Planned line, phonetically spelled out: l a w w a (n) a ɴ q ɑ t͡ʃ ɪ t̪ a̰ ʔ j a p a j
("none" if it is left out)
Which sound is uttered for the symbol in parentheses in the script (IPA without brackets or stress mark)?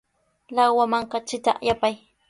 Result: m